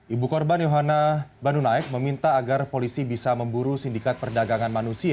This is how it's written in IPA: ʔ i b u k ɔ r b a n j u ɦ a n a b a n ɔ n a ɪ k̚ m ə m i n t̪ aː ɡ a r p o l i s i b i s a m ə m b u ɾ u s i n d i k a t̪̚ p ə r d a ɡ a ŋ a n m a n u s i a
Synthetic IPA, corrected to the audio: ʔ i b u k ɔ r b a n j o ɦ a n a b a n u n a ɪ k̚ m ə m i n t̪ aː ɡ a r p o l i s i b i s a m ə m b u ɾ u s i n d i k a t̪̚ p ə r d a ɡ a ŋ a n m a n u s i a